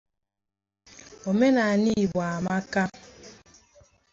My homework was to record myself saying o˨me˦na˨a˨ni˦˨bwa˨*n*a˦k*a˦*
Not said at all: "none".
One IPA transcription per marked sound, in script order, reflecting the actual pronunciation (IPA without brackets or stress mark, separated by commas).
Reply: m, a˦